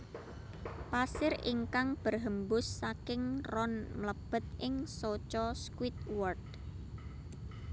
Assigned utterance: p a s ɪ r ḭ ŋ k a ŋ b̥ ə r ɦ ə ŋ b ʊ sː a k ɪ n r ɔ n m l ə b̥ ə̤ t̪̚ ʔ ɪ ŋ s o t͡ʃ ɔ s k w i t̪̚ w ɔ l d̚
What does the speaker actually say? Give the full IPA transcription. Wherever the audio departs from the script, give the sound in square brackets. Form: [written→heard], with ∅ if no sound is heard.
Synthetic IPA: p a s ɪ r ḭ ŋ k a ŋ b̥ ə r ɦ ə [ŋ→m] b ʊ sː a k ɪ [n→ŋ] r ɔ n m l ə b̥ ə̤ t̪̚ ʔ ɪ ŋ s o t͡ʃ ɔ s k w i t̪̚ w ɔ [l→r] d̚